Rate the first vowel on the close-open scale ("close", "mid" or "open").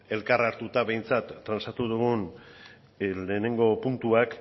mid